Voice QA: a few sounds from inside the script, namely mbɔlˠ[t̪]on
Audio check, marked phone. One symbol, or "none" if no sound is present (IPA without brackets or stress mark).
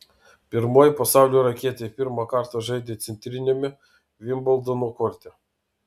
d̪